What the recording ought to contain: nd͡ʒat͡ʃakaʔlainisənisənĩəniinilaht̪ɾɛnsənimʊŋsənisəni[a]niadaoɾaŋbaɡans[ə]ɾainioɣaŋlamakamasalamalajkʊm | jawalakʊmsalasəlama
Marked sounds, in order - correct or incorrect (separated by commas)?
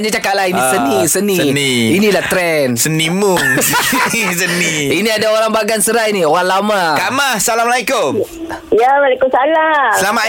incorrect, correct